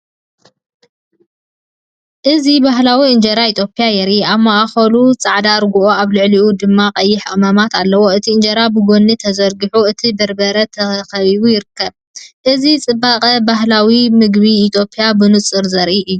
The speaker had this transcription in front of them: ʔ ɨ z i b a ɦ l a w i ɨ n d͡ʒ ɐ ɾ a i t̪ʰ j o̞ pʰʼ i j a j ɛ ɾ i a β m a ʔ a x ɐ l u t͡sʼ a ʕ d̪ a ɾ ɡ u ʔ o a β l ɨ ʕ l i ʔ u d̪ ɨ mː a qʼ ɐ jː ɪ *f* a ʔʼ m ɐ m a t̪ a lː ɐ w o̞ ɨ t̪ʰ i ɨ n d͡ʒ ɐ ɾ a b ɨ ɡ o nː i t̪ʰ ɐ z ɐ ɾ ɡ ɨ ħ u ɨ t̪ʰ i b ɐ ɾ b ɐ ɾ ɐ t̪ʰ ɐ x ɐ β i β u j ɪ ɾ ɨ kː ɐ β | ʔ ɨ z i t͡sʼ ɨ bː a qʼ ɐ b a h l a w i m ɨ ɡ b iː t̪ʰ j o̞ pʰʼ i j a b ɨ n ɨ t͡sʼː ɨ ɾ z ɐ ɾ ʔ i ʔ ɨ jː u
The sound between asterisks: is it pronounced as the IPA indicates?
no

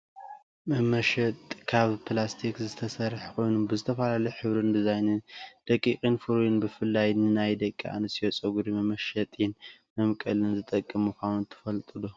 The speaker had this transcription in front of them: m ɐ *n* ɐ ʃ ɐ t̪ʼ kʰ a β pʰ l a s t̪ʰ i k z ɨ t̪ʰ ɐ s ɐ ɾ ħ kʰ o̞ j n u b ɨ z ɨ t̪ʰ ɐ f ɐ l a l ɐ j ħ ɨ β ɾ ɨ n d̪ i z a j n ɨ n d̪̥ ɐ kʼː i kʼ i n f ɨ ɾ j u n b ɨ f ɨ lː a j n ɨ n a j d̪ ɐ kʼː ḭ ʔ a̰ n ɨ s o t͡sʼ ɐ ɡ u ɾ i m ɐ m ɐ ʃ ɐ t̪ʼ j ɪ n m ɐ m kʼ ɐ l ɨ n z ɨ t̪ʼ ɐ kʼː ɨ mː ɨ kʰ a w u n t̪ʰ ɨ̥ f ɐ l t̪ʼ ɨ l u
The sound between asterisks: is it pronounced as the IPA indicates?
no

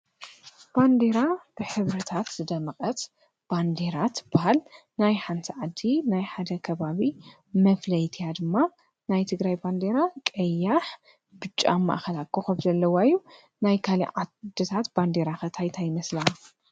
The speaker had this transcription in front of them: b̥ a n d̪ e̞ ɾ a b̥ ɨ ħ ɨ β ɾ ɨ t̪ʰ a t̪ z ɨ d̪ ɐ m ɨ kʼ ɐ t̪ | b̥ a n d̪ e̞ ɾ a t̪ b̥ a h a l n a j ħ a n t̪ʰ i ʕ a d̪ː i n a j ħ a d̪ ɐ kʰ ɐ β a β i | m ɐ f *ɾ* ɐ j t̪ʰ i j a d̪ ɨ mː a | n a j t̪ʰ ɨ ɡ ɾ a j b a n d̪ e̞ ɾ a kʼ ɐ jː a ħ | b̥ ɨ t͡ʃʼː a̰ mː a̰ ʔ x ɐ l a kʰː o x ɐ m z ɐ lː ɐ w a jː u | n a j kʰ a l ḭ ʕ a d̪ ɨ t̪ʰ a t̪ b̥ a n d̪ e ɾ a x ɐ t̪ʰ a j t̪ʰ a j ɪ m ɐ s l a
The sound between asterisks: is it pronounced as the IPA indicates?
no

